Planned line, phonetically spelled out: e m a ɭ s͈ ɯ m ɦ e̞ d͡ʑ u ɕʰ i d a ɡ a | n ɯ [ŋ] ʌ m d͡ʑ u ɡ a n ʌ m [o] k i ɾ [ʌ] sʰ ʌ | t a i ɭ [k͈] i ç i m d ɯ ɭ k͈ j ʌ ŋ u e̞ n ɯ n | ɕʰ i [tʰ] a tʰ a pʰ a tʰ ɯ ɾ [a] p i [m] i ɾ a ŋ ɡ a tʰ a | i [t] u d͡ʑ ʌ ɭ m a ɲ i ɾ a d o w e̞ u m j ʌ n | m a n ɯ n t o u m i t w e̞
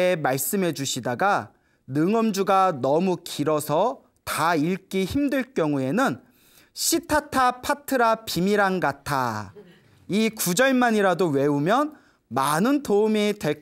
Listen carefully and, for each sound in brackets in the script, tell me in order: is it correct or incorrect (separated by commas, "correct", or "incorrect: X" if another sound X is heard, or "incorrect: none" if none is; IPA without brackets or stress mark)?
correct, incorrect: u, correct, correct, correct, correct, correct, incorrect: k